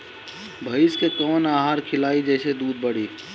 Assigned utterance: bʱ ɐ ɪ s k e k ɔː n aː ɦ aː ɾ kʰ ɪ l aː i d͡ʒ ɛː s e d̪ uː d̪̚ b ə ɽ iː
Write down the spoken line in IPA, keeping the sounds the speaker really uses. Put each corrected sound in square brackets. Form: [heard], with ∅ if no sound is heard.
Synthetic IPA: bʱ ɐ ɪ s k e k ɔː n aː ɦ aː ɾ kʰ ɪ l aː i d͡ʒ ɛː s e d̪ uː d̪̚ b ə ɽ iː